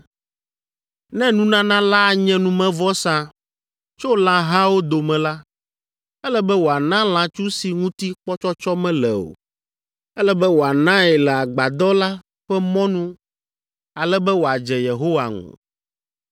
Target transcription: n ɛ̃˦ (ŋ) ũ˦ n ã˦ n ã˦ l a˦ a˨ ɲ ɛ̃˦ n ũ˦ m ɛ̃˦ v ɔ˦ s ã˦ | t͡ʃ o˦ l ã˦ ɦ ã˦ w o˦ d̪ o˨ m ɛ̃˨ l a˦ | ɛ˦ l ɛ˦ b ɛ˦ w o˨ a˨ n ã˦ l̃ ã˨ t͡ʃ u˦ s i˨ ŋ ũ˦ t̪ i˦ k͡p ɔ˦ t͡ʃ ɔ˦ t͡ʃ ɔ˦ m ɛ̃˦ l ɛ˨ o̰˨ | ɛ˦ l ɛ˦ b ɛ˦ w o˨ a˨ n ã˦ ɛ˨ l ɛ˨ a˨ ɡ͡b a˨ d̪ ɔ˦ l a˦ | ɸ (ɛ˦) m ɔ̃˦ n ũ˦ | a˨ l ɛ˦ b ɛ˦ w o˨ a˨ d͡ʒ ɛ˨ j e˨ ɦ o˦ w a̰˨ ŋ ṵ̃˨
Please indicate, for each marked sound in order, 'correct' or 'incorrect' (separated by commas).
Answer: incorrect, correct